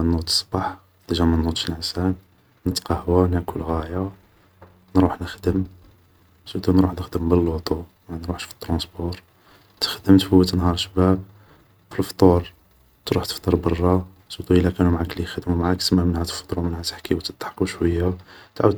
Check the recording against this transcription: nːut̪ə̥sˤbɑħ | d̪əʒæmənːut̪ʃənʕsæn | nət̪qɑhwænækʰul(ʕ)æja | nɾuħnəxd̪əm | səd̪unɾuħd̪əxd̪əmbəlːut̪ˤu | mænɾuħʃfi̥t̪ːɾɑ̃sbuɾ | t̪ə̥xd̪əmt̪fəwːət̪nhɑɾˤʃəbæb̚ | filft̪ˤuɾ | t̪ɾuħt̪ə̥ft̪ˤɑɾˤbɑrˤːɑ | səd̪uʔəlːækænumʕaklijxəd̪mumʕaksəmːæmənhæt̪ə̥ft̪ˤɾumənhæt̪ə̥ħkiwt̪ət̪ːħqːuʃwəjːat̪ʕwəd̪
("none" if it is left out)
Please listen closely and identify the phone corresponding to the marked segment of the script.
ɣ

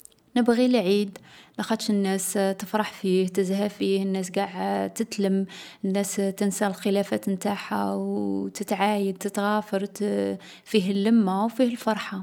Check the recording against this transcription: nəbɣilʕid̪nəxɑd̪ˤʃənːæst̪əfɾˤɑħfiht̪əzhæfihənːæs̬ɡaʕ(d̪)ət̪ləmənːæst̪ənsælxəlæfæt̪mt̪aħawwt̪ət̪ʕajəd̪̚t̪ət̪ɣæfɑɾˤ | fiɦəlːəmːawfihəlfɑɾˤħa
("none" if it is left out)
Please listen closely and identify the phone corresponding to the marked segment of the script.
t̪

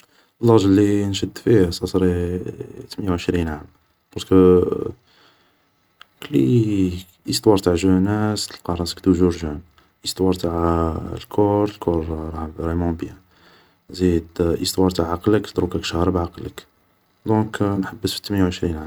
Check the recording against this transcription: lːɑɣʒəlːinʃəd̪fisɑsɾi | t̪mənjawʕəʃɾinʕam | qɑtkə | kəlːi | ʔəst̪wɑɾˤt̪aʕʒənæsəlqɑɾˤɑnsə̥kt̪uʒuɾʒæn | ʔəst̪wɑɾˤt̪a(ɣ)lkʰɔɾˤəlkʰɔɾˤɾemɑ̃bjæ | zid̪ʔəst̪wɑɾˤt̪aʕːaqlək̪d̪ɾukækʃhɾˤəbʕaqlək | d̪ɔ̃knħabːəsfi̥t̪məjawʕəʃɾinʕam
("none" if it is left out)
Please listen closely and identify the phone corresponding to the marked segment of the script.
ʕ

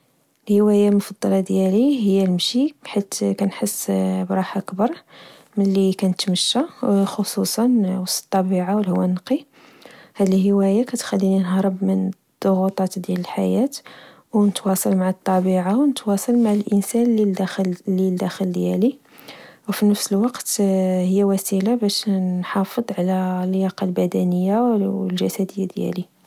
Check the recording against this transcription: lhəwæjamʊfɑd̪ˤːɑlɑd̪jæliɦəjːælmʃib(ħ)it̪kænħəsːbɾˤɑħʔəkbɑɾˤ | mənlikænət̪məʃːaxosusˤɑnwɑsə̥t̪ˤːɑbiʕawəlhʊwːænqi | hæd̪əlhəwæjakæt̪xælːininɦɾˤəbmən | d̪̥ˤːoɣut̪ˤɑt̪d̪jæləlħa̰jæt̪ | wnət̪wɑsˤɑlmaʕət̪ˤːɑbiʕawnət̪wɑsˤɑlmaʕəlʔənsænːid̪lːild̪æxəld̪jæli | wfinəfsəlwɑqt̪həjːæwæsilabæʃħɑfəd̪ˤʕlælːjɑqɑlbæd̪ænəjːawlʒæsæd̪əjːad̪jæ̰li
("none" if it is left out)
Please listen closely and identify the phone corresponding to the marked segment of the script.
ħ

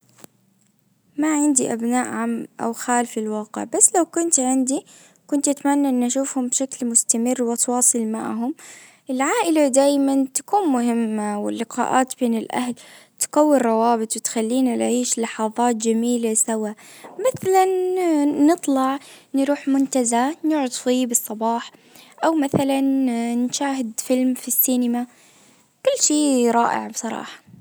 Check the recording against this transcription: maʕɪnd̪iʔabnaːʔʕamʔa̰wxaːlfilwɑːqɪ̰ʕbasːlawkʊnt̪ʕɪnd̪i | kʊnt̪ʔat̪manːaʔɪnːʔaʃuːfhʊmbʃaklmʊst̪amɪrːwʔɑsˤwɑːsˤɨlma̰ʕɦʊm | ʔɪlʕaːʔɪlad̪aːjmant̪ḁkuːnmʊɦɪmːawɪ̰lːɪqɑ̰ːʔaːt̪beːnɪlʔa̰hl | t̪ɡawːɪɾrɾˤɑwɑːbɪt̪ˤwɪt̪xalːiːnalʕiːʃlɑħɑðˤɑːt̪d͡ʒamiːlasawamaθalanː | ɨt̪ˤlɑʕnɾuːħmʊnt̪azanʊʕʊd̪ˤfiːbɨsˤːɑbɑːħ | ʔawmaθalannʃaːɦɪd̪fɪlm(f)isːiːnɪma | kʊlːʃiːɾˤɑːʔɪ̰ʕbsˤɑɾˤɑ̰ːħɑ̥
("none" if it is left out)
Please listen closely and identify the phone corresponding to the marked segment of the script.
f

